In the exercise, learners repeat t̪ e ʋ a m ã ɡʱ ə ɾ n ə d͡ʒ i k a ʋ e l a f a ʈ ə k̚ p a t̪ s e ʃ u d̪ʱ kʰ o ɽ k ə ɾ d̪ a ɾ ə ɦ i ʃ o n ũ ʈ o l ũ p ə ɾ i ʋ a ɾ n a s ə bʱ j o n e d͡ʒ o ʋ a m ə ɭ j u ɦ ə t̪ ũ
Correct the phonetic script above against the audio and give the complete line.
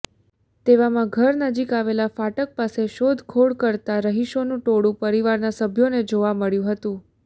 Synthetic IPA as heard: t̪ e ʋ a m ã ɡʱ ə ɾ n ə d͡ʒ i k a ʋ e l a f a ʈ ə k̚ p a s e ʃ o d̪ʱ kʰ o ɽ k ə ɾ t̪ a ɾ ə ɦ i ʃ o n ũ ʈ o ɽ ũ p ə ɾ i ʋ a ɾ n a s ə bʱ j o n e d͡ʒ o ʋ a m ə ɭ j ũ ɦ ə t̪ ũ